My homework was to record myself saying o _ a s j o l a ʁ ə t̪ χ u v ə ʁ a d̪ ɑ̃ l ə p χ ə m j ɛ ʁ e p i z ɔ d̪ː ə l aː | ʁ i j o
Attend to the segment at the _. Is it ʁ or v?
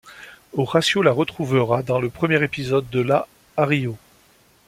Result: ʁ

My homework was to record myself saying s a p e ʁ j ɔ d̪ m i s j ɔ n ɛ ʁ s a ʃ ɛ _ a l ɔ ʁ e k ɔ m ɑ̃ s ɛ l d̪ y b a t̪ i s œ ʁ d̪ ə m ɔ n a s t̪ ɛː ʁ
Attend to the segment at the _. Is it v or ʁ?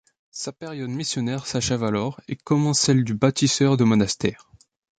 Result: v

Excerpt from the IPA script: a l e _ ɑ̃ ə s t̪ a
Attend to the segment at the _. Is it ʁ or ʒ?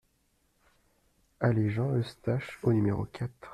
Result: ʒ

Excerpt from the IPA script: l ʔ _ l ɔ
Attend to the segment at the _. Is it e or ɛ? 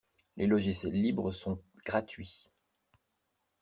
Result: e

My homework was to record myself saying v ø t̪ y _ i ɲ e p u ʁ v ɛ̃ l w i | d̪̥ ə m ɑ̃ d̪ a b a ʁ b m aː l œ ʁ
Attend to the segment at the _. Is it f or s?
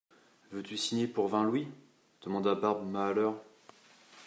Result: s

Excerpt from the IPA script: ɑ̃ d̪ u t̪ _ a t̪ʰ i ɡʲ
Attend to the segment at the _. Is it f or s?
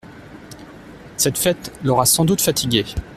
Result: f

